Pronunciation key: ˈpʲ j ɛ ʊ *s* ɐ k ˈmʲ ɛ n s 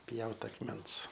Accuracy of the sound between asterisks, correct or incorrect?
incorrect: t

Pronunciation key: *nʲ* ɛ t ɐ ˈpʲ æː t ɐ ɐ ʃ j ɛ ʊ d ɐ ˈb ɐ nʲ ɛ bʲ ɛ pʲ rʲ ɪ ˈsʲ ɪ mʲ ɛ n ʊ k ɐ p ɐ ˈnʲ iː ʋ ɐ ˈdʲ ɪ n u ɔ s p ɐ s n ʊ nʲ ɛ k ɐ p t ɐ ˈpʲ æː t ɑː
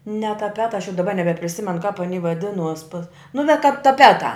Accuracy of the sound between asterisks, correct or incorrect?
correct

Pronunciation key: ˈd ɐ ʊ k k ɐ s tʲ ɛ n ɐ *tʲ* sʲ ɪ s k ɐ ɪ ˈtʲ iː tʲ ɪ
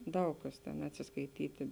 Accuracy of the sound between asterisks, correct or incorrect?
correct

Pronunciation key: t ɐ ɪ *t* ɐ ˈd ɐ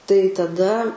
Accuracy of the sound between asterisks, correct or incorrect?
correct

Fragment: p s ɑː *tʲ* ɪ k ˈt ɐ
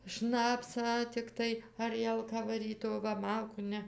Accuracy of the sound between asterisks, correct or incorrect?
correct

